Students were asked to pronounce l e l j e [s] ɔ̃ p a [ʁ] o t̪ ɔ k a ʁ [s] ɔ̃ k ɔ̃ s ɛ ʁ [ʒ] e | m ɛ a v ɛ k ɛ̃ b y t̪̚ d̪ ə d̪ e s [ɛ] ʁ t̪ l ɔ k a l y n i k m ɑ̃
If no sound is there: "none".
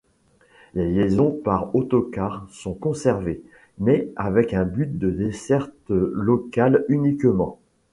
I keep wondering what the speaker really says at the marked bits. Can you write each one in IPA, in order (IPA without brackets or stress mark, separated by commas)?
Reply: z, ʁ, s, v, ɛ